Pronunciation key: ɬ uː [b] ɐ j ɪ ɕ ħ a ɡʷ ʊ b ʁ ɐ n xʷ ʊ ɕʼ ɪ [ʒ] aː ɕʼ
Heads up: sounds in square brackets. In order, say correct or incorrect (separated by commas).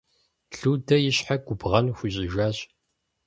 incorrect, correct